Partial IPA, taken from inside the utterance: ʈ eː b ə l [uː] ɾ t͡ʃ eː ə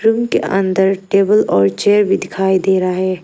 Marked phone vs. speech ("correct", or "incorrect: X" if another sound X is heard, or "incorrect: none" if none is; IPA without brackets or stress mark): incorrect: ɔː